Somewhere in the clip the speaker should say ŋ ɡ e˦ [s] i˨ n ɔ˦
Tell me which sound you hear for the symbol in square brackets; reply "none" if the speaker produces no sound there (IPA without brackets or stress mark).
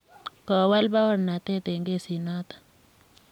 s